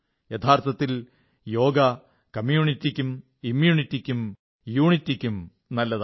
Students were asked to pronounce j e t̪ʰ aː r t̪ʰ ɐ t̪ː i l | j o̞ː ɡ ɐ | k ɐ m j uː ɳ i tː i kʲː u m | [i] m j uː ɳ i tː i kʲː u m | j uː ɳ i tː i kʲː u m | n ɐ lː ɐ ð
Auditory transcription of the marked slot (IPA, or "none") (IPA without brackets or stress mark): i